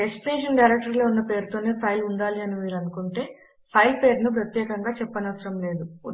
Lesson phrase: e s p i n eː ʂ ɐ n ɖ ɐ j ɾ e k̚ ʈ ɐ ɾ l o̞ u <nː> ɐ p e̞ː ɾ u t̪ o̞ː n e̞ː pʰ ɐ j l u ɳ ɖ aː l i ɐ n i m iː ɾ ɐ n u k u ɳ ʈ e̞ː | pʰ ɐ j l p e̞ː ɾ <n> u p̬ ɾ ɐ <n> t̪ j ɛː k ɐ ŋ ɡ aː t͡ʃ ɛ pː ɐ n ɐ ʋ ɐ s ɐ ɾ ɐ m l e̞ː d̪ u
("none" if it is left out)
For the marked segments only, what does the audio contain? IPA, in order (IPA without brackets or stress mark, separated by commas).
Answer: nː, n, none